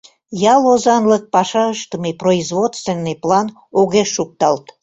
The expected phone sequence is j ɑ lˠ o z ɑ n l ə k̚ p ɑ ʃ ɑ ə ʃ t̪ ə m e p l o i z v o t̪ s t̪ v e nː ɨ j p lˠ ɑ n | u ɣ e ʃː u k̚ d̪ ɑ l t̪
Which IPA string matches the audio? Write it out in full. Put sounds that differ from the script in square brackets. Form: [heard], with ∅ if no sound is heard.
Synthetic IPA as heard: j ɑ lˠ o z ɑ n l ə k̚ p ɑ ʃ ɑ ə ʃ t̪ ə m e p [r] o i z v o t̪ s t̪ v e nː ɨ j p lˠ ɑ n | [o] ɣ e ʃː u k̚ [t̪] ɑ l t̪